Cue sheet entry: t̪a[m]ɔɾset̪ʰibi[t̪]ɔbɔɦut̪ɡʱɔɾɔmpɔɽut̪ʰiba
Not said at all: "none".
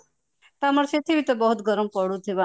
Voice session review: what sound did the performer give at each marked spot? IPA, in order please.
m, t̪

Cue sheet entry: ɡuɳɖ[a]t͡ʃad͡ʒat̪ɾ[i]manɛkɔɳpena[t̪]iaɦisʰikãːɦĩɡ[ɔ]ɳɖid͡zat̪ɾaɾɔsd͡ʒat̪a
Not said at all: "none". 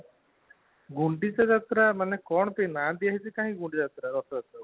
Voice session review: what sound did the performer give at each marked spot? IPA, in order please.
i, a, d̪, u

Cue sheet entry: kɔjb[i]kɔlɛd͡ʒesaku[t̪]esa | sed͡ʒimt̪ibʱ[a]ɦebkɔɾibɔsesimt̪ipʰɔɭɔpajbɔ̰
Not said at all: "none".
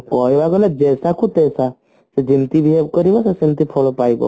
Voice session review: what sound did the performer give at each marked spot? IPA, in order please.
a, t̪, i

